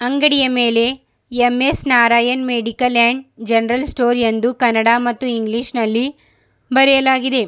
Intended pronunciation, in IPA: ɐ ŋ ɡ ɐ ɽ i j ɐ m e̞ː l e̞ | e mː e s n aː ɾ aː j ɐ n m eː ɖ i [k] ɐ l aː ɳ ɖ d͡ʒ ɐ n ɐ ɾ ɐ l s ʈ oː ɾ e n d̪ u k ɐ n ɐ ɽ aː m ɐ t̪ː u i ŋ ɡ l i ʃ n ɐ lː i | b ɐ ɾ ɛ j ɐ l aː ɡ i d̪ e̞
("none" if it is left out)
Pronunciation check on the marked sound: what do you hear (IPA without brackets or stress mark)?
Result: k